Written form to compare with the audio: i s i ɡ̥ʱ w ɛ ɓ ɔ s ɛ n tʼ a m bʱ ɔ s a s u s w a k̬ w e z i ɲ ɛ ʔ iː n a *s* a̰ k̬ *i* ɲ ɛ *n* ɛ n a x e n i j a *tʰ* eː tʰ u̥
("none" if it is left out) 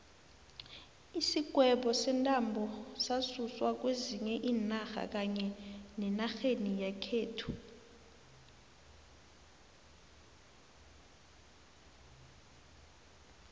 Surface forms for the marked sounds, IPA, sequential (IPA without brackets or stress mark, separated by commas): x, a, n, kʰ